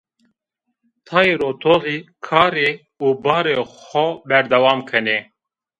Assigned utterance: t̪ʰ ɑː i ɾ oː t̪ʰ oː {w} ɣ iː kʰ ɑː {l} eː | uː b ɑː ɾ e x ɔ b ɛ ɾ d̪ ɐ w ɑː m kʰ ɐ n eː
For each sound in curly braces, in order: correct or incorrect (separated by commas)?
incorrect, incorrect